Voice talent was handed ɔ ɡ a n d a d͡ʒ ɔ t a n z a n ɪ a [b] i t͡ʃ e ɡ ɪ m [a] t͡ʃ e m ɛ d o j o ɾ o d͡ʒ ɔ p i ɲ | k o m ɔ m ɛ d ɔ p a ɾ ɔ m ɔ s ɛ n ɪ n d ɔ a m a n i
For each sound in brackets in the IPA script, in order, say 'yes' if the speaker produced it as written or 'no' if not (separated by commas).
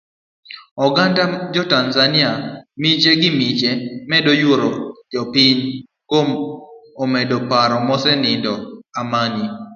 no, no